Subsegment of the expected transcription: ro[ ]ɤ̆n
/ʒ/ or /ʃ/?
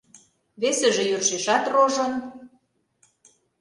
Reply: ʒ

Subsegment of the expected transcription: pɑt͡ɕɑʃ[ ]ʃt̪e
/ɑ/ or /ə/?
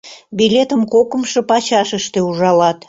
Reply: ə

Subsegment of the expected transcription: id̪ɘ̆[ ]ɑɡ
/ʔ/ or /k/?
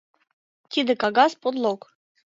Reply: k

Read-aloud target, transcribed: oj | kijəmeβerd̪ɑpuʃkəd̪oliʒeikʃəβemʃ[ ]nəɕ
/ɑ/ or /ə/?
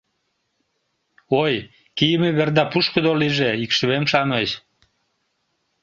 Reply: ɑ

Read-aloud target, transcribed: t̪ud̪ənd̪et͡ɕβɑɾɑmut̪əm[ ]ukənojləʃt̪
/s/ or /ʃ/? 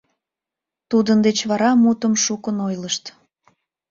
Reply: ʃ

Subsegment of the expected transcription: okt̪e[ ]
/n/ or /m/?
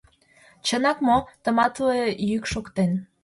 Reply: n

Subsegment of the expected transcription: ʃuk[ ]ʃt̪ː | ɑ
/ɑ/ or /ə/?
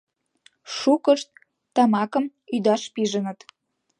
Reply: ə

